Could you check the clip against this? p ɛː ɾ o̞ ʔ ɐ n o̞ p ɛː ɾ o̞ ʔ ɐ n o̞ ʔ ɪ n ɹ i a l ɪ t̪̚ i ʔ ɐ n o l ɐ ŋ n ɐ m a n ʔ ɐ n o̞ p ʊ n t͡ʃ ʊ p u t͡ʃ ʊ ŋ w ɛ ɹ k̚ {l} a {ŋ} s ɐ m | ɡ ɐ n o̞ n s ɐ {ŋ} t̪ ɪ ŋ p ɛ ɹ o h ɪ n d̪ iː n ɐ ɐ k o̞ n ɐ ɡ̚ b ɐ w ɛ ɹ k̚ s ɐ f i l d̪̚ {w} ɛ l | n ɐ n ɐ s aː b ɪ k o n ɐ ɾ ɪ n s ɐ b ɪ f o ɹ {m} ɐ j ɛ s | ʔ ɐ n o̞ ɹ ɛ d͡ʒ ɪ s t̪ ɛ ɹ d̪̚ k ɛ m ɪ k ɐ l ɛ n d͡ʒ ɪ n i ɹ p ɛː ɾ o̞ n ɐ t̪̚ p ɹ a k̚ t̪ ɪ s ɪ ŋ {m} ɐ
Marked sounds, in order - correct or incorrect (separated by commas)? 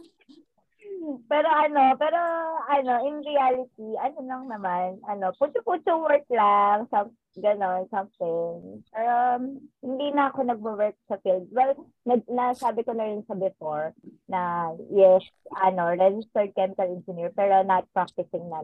correct, correct, incorrect, correct, incorrect, incorrect